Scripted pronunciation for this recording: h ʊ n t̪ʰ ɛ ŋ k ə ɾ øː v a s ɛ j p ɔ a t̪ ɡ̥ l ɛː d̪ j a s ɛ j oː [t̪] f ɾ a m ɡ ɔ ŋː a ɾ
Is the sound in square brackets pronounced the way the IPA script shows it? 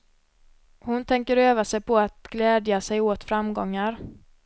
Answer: yes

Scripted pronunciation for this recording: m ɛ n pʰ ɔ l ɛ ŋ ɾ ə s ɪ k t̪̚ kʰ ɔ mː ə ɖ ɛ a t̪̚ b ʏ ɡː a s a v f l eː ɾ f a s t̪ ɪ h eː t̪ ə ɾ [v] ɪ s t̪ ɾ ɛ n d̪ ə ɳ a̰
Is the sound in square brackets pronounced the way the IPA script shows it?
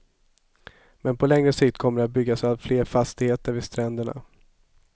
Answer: yes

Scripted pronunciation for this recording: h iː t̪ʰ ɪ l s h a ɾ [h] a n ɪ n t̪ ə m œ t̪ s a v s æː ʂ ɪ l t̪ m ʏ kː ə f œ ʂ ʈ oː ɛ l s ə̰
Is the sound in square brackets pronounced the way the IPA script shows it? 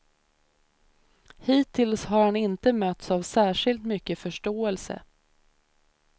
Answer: yes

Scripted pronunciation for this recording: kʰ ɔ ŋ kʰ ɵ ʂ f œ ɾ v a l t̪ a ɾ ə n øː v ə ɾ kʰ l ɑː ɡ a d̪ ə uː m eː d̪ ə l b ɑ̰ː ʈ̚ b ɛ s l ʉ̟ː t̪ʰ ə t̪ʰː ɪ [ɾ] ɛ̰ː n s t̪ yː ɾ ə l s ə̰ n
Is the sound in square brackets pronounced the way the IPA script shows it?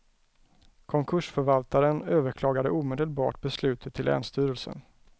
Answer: no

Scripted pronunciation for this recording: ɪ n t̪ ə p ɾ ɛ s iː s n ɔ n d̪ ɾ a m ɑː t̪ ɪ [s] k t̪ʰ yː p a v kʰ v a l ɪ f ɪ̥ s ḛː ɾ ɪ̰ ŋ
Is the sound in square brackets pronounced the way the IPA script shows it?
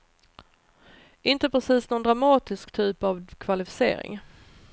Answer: yes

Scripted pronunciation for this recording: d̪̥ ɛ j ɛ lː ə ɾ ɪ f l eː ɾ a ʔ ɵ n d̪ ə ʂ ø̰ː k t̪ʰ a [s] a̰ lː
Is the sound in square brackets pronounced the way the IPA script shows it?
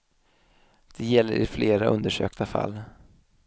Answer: no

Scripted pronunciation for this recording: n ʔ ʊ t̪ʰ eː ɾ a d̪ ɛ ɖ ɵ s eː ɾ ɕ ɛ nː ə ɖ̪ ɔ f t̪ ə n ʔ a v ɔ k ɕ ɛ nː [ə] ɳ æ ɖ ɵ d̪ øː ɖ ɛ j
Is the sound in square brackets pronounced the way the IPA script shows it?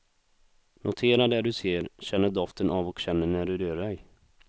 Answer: yes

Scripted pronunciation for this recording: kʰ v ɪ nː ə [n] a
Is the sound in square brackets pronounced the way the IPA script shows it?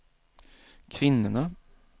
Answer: yes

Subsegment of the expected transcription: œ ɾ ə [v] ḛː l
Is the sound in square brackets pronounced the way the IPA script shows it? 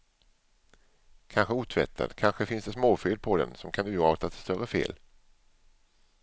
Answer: no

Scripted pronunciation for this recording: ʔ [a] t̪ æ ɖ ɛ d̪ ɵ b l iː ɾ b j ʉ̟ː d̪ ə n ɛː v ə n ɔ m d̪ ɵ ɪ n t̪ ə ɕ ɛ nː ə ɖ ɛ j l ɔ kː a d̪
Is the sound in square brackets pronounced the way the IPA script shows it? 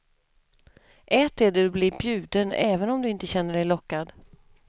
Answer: no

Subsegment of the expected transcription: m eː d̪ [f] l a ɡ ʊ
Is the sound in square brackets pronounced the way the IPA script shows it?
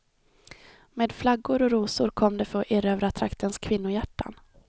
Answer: yes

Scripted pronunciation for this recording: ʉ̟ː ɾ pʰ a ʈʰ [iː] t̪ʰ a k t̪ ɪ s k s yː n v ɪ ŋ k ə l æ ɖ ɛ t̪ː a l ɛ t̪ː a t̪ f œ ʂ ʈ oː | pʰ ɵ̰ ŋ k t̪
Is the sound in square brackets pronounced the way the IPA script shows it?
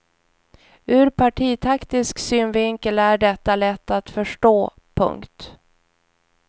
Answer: yes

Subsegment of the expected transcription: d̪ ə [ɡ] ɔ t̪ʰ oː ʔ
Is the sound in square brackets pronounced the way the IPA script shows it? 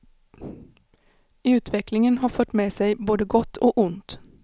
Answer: yes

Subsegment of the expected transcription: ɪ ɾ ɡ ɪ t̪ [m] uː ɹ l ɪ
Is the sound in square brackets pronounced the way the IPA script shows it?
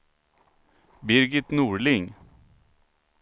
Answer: no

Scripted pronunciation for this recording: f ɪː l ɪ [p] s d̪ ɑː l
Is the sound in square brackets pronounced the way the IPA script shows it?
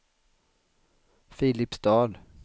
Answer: yes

